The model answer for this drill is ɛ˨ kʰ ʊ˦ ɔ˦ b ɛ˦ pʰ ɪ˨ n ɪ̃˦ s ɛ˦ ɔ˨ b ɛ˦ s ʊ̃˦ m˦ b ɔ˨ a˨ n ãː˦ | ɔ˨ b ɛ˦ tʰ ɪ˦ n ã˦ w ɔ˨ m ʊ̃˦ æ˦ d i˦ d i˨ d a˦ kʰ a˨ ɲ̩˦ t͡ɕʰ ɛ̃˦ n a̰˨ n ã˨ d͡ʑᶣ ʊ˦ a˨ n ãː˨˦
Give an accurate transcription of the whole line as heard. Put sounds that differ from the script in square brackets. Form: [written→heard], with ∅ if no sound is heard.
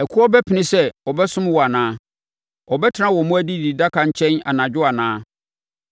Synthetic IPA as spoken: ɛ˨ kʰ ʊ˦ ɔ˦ b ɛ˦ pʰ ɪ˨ n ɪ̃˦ s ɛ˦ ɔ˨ b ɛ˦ s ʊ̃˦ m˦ [b→w] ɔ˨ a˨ n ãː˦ | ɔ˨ b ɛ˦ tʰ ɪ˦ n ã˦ w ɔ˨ m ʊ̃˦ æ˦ d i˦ d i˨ d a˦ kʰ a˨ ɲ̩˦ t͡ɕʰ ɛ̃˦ n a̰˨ n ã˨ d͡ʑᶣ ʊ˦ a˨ n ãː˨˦